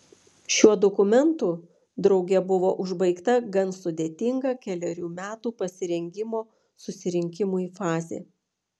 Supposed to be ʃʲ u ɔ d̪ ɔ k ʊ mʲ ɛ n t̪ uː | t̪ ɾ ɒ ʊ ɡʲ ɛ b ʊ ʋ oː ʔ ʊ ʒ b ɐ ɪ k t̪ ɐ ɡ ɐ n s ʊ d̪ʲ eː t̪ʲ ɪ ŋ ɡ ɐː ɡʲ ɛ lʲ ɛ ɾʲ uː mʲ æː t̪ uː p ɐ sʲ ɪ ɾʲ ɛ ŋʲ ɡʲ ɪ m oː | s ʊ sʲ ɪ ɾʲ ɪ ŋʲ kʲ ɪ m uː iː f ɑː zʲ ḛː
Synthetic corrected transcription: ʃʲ u ɔ d̪ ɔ k ʊ mʲ ɛ n t̪ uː | d̪ ɾ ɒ ʊ ɡʲ ɛ b ʊ ʋ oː ʔ ʊ ʒ b ɐ ɪ k t̪ ɐ ɡ ɐ n s ʊ d̪ʲ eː t̪ʲ ɪ ŋ ɡ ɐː kʲ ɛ lʲ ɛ ɾʲ uː mʲ æː t̪ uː p ɐ sʲ ɪ ɾʲ ɛ ŋʲ ɡʲ ɪ m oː | s ʊ sʲ ɪ ɾʲ ɪ ŋʲ kʲ ɪ m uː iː f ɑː zʲ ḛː